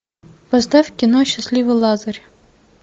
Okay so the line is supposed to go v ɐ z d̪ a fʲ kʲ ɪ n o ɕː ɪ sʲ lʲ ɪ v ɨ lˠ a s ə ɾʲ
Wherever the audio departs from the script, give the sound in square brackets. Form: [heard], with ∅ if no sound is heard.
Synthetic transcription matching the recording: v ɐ z d̪ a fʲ kʲ ɪ n o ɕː ɪ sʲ lʲ [i] v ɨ lˠ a [z] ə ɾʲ